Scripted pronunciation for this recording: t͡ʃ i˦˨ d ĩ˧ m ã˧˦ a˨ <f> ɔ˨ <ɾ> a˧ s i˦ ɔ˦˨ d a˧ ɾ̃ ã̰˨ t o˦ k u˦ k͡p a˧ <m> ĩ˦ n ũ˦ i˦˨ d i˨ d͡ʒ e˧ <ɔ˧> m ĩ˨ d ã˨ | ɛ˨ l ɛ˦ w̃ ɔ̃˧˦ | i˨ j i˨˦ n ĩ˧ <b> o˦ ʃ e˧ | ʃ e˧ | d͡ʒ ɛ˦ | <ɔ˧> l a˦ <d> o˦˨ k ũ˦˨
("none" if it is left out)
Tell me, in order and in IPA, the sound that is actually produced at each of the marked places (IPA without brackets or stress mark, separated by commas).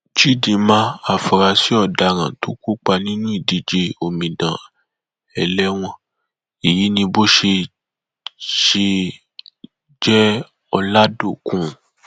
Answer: f, ɾ, n, o˧, b, ɔ˧, d